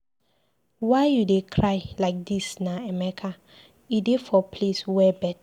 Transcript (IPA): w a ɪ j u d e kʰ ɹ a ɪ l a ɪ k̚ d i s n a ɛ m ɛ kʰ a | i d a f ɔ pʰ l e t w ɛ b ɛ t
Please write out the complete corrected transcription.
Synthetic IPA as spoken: w a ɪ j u d e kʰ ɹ a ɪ l a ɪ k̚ d i s n a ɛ m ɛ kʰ a | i d e f ɔ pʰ l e s w ɛ b ɛ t